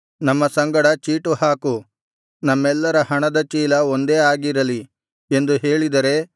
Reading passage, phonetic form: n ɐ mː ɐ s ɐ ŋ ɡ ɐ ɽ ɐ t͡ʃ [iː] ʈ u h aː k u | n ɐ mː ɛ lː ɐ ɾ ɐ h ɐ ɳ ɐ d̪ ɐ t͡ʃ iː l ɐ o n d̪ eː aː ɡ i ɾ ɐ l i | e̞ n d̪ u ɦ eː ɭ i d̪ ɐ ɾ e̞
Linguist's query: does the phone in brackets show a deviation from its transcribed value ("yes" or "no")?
no